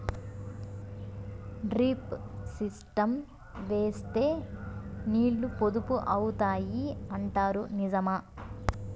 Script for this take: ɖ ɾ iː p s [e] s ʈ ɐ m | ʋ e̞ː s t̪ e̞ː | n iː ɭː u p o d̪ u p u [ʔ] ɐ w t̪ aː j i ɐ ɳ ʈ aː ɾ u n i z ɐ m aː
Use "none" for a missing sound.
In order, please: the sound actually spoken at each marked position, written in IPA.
i, ʔ

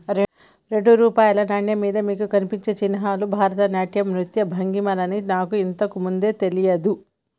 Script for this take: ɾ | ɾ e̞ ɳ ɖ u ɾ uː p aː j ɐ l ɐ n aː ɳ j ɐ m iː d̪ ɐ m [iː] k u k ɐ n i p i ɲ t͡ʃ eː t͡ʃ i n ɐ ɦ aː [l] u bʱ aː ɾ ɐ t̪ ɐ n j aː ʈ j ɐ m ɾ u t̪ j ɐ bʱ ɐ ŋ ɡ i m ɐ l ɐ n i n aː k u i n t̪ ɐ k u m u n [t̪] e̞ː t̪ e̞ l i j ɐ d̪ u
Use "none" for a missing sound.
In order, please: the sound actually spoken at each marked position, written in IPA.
iː, l, d̪

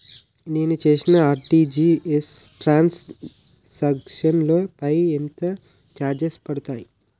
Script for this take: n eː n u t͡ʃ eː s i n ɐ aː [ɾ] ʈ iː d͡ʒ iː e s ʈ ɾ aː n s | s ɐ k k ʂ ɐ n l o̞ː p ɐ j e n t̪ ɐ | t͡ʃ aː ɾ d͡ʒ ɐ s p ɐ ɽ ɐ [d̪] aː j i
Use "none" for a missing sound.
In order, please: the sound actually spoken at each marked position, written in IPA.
ɾ, t̪

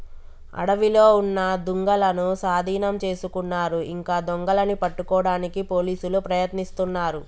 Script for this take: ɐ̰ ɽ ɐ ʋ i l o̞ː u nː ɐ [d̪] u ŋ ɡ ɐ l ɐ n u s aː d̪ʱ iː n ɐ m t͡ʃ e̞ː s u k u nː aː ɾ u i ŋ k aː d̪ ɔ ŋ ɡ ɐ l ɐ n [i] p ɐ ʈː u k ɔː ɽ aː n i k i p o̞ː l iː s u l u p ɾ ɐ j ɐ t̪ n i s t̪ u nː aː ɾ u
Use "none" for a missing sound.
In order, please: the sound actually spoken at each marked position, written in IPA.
d̪, i

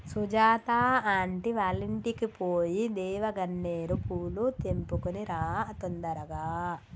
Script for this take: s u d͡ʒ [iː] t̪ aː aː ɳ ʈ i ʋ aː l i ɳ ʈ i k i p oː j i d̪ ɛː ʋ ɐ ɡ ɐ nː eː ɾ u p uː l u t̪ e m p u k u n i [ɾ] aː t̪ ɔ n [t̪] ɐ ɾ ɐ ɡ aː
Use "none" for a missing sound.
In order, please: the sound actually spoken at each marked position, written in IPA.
aː, ɾ, d̪

